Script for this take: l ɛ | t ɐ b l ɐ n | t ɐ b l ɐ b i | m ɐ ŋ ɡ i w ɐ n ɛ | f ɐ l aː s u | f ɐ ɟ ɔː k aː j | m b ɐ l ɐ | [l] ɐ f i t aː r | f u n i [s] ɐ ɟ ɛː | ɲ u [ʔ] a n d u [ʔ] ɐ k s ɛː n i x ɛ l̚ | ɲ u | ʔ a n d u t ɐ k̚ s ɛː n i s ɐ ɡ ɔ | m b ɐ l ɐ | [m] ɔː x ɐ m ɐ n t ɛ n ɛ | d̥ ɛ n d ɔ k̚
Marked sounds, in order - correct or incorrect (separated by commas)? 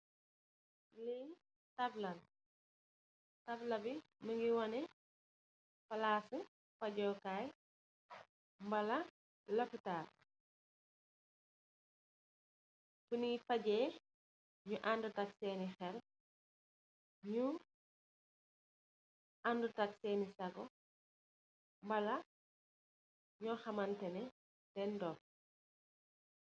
correct, incorrect, correct, incorrect, incorrect